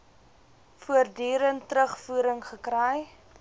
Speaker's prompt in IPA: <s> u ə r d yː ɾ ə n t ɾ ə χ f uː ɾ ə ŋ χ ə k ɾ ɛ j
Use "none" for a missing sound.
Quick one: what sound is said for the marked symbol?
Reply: f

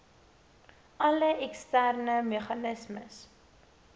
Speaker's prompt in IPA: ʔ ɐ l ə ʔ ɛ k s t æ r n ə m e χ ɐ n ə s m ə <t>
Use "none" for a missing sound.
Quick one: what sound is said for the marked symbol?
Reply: s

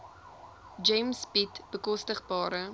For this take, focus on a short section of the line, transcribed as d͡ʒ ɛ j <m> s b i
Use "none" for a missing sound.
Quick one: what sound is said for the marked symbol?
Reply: m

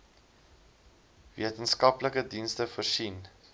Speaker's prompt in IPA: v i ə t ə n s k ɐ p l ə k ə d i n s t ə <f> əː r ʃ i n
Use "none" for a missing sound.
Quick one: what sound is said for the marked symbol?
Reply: f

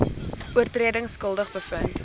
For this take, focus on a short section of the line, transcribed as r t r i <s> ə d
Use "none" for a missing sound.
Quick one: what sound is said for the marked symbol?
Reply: none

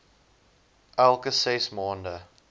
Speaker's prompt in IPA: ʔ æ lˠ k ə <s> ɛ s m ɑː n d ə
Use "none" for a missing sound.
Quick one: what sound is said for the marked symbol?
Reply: s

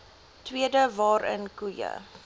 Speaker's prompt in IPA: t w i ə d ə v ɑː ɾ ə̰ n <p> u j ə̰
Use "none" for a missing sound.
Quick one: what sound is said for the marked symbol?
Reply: k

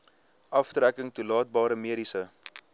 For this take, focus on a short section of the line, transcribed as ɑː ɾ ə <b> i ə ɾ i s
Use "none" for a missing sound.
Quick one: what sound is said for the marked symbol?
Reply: m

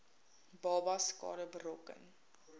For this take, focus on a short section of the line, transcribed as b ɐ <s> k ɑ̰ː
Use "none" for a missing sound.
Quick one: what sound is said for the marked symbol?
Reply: s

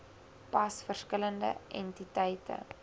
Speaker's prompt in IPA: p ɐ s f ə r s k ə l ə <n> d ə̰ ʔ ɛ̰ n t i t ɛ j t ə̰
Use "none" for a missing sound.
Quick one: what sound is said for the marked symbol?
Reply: n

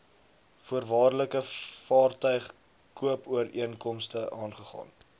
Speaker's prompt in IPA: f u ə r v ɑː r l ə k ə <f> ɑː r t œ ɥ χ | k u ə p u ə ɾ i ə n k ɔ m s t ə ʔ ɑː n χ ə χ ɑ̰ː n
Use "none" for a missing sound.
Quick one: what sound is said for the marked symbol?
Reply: f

